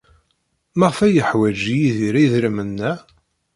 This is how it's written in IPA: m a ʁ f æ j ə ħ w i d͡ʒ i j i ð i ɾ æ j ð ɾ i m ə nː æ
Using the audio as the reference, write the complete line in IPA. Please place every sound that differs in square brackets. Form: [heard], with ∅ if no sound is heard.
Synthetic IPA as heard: m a ʁ f æ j ə ħ w [æ] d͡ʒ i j i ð i ɾ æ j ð ɾ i m ə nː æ

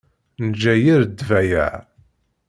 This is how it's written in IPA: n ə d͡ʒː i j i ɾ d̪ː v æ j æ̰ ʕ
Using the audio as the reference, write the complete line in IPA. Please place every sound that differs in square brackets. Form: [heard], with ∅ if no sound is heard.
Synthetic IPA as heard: n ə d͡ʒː [æ] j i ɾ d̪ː v æ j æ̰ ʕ

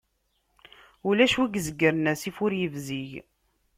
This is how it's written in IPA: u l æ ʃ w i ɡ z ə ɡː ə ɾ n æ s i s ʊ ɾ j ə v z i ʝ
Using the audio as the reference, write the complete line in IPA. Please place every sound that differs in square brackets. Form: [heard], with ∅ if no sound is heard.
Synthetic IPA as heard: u l æ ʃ w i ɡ z ə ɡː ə ɾ n æ s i [f] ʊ ɾ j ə v z i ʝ

